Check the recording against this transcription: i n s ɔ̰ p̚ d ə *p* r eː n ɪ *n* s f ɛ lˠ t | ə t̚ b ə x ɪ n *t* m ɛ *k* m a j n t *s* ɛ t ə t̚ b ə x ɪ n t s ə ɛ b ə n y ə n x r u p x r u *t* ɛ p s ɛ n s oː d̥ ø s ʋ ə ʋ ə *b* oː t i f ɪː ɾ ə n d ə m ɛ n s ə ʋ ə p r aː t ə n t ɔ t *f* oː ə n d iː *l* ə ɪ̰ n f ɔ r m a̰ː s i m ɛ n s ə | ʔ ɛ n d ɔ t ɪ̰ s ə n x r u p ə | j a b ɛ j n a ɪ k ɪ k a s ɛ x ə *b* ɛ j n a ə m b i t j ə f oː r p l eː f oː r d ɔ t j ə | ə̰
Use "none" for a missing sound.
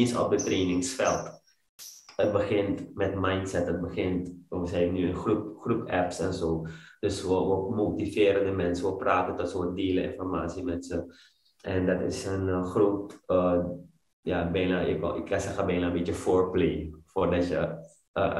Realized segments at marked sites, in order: t, ŋ, t, t, s, p, m, s, l, b

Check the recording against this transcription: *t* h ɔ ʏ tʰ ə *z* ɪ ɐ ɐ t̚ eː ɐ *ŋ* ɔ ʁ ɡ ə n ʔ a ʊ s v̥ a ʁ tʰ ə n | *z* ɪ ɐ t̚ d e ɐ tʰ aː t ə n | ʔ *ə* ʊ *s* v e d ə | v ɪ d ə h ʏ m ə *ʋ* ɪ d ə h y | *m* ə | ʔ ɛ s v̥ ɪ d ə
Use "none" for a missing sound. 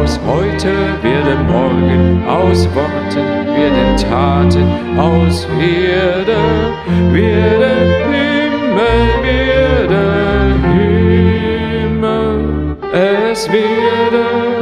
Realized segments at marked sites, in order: s, v, m, v, a, s, v, m

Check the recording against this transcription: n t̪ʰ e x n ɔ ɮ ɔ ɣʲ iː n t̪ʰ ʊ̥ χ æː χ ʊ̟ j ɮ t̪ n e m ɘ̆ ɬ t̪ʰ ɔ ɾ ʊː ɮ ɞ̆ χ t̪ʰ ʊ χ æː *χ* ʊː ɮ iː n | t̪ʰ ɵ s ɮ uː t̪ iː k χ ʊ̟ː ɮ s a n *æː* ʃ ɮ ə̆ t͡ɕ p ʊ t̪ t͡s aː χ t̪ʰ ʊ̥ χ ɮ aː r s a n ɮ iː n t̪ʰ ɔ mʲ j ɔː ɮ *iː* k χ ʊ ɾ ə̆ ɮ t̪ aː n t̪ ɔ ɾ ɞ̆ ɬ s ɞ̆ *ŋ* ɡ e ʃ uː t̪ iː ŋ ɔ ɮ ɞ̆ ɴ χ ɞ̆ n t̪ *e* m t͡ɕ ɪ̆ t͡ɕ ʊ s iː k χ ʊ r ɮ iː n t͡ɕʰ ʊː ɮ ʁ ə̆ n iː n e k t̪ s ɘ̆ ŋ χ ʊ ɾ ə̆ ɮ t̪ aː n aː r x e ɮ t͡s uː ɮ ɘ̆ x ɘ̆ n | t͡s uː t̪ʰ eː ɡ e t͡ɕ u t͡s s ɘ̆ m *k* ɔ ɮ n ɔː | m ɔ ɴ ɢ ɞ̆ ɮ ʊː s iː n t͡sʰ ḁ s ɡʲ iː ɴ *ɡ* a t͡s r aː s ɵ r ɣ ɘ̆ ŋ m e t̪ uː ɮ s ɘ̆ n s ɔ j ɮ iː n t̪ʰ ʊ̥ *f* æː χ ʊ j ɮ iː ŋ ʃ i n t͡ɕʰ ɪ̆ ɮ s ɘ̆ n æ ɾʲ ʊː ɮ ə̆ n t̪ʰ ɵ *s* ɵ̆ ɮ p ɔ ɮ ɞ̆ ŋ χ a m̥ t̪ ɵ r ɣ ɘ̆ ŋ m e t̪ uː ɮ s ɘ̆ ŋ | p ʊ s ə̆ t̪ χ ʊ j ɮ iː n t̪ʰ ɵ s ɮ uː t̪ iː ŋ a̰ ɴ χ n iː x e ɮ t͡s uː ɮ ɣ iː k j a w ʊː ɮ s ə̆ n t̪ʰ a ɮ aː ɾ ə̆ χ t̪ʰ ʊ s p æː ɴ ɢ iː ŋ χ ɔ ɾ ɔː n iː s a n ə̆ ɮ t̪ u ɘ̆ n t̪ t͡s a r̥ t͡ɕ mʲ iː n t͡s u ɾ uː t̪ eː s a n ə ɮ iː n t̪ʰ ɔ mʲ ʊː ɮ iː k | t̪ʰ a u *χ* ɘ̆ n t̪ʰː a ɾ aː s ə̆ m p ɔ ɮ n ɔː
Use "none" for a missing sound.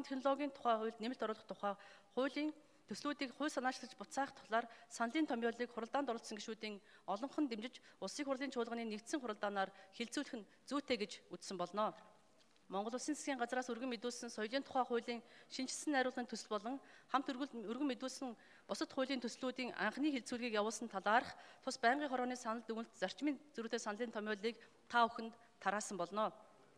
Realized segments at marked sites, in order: χ, aː, iː, ŋ, e, p, ɢ, χ, s, x

